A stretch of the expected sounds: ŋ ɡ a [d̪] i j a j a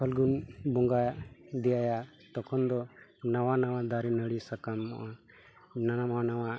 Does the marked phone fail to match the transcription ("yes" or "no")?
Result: no